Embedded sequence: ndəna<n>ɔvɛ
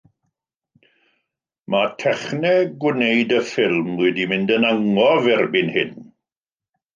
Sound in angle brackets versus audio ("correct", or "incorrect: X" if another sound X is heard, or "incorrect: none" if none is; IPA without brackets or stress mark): incorrect: ŋ